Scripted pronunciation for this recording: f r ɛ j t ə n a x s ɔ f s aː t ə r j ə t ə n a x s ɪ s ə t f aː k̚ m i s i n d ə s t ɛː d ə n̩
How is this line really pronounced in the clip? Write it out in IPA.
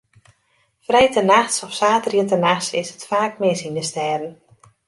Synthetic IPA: f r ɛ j t ə n a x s ɔ f s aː t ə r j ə t ə n a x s ɪ s ə t f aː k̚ m ɪ s i n d ə s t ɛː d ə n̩